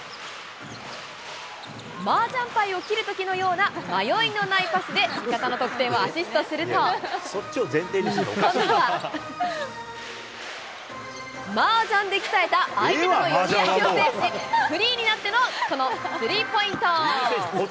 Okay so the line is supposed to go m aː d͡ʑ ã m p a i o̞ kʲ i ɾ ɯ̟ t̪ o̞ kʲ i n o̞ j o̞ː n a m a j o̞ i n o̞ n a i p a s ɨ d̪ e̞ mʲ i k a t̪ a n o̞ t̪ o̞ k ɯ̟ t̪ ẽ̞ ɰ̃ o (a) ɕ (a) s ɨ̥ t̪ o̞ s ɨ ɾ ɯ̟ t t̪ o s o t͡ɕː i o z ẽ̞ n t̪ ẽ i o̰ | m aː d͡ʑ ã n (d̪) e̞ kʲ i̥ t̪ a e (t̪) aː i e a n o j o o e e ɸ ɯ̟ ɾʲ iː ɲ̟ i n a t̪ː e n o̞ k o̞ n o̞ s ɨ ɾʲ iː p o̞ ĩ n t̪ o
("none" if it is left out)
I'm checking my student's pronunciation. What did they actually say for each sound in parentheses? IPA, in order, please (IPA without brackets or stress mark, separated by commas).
a, i, d̪, t̪